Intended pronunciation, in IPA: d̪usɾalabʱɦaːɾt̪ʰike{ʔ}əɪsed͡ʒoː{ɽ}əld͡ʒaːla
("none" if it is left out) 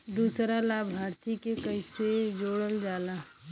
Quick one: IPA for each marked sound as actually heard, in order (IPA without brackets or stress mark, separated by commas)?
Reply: k, ɽ